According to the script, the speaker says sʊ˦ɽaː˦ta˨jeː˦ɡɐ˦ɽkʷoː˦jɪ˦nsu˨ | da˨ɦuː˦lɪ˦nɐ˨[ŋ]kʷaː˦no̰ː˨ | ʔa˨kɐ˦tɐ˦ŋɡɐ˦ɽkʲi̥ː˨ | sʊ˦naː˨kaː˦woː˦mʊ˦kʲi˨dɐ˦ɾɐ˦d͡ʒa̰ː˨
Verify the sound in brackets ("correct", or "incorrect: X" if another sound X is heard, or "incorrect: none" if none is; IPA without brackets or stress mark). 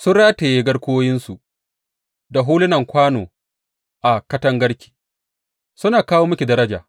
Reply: correct